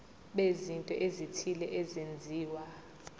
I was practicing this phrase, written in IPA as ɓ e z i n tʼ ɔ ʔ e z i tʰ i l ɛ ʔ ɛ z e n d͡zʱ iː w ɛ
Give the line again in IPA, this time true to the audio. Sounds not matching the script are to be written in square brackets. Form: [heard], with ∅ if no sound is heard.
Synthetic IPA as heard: ɓ e z i n tʼ ɔ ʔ e z i tʰ i l ɛ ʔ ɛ z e n d͡zʱ iː w [a]